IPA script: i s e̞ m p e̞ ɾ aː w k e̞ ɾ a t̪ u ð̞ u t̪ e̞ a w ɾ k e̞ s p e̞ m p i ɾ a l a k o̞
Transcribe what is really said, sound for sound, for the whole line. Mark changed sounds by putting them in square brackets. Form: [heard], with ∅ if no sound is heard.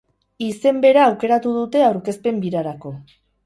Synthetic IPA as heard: i s e̞ m [b] e̞ ɾ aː w k e̞ ɾ a t̪ u ð̞ u t̪ e̞ a w ɾ k e̞ s p e̞ m [b] i ɾ a [ɾ] a k o̞